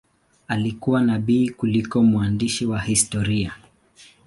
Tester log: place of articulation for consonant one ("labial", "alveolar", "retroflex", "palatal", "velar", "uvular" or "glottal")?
alveolar